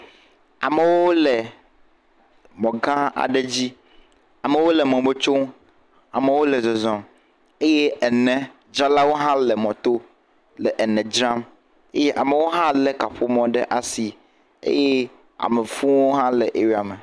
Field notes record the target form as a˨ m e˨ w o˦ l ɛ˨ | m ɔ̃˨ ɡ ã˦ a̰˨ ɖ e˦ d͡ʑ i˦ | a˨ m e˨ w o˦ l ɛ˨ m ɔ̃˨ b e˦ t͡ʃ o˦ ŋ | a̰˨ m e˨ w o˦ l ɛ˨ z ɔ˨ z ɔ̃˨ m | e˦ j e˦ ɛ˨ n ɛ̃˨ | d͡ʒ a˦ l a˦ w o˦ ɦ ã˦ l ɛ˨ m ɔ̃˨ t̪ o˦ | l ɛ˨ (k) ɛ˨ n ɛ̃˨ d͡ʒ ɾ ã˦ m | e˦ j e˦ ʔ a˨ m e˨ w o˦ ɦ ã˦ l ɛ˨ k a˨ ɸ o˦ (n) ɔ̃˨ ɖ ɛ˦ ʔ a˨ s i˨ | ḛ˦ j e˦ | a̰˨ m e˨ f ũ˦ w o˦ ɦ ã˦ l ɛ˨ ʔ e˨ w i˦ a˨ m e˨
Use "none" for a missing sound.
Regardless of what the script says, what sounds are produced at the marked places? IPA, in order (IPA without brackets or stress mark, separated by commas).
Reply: ʔ, m